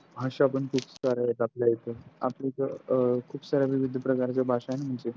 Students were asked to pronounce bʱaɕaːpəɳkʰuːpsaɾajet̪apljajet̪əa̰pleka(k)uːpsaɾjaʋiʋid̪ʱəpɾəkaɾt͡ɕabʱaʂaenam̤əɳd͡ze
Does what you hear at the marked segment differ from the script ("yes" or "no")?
yes